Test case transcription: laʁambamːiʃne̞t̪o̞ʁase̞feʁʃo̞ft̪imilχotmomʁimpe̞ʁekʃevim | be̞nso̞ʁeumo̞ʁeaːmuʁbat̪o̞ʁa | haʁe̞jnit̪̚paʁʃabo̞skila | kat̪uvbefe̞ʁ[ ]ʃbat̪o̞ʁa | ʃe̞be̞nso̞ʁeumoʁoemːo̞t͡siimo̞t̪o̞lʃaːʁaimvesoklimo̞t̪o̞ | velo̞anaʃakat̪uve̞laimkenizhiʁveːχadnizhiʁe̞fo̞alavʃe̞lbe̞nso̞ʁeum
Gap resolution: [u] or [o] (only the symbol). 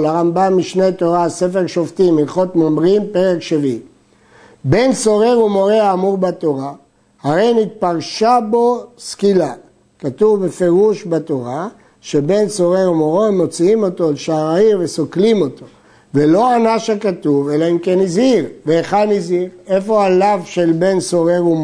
u